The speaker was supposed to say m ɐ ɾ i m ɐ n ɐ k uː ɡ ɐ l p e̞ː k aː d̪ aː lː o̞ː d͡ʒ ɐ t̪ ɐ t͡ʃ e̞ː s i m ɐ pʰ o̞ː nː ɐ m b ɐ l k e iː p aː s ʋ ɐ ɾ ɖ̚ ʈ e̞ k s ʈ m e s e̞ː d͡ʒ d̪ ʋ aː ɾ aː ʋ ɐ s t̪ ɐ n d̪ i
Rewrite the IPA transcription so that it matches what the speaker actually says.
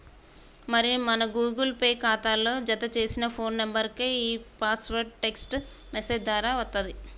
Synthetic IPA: m ɐ ɾ i m ɐ n ɐ ɡ uː ɡ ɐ l p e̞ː k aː t̪ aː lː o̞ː d͡ʒ ɐ t̪ ɐ t͡ʃ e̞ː s i n ɐ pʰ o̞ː nː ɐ m b ɐ ɾ k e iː p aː s ʋ ɐ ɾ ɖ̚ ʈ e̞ k s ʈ m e s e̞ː d͡ʒ d̪ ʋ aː ɾ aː ʋ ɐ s t̪ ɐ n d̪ i

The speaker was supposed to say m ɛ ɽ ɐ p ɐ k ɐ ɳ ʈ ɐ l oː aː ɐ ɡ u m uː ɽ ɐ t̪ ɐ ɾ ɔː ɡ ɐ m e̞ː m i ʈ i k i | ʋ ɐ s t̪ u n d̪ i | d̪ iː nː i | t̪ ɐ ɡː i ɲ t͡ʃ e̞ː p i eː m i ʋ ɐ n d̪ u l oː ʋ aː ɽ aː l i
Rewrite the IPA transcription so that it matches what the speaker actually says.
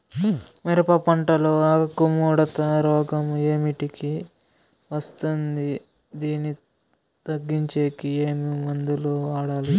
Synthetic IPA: m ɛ ɾ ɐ p ɐ p ɐ ɳ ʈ ɐ l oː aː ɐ k u m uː ɽ ɐ t̪ ɐ ɾ ɔː ɡ ɐ m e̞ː m i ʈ i k i | ʋ ɐ s t̪ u n d̪ i | d̪ iː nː i | t̪ ɐ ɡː i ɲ t͡ʃ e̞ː k i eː m i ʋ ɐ n d̪ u l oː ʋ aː ɽ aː l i

